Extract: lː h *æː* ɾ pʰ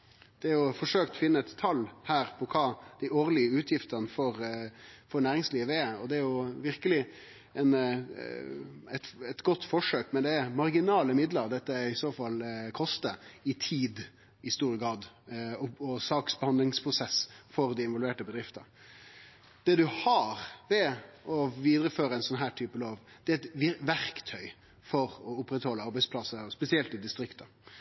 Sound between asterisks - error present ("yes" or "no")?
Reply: no